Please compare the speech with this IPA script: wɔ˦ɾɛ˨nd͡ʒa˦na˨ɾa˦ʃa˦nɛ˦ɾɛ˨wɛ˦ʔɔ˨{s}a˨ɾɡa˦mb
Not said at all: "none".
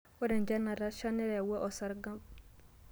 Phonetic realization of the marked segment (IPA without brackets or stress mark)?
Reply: s